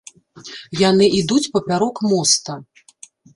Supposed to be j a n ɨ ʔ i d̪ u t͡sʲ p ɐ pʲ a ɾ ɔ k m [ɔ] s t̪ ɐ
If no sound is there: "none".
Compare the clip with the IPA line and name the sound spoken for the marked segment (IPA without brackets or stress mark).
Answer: ɔ